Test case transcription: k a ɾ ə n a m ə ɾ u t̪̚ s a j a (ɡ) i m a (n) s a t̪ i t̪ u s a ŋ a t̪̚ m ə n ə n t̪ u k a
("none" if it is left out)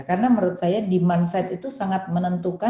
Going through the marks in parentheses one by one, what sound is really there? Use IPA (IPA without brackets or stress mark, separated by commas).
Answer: d, n